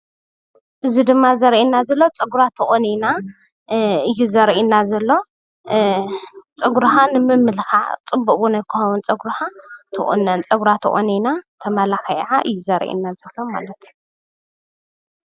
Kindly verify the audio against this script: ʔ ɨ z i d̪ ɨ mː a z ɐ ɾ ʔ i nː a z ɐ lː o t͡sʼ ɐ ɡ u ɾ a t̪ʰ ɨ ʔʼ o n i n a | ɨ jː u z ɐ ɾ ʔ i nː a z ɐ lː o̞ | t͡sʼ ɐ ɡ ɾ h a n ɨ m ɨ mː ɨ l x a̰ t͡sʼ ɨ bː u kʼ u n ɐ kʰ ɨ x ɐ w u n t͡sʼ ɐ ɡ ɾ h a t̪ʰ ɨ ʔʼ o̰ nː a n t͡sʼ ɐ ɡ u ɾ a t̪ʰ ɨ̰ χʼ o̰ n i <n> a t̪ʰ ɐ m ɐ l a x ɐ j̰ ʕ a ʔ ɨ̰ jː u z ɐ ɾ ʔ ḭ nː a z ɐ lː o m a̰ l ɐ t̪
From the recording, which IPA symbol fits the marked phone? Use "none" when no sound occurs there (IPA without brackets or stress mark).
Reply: n